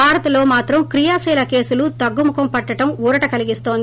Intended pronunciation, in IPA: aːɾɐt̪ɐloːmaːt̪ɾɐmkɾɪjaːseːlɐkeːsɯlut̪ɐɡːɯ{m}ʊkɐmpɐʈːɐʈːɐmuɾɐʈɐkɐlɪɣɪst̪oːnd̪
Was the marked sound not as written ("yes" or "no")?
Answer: no